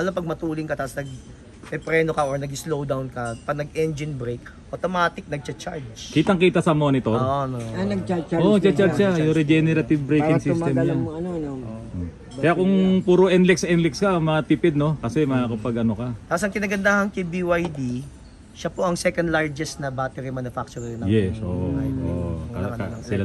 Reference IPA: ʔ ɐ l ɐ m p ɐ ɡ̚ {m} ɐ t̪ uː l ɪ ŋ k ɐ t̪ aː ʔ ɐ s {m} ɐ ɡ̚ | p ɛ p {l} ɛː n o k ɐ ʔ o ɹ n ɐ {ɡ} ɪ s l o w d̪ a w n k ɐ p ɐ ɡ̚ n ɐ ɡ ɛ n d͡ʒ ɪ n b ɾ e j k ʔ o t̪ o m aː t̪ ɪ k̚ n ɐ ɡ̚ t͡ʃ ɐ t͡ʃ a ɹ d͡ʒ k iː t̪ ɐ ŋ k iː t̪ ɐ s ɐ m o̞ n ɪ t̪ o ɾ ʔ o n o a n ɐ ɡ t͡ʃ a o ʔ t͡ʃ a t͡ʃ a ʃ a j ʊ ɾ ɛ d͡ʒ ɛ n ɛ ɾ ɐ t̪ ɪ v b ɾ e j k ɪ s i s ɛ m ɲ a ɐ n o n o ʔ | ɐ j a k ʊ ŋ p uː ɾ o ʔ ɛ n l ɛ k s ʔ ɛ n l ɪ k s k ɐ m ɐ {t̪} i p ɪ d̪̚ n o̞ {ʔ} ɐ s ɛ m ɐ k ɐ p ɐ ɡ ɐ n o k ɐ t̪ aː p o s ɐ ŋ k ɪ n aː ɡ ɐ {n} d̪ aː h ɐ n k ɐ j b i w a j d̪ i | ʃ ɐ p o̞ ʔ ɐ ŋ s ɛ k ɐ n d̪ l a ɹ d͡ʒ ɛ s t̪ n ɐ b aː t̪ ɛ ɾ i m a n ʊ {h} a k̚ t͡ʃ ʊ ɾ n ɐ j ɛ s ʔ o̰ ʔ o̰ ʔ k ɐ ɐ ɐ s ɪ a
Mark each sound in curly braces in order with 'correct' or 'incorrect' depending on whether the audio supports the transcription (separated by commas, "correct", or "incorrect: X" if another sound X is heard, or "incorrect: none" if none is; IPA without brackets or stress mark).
correct, incorrect: n, incorrect: ɾ, correct, correct, incorrect: k, correct, incorrect: f